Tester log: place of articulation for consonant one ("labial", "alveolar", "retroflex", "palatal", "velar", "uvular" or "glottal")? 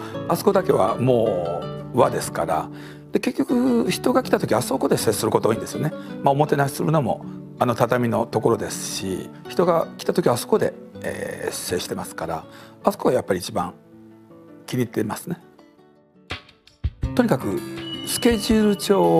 alveolar